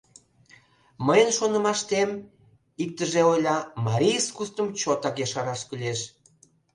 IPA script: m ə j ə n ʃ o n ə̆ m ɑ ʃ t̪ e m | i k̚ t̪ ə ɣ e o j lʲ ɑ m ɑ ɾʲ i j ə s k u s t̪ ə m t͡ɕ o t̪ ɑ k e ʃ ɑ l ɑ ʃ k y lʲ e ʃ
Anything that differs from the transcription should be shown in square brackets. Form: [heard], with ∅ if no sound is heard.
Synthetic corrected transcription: m ə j ə n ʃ o n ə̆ m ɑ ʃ t̪ e m | i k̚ t̪ ə [ʒ] e o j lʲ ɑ m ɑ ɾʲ i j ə s k u s t̪ ə m t͡ɕ o t̪ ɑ k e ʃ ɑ [ɾ] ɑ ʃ k y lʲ e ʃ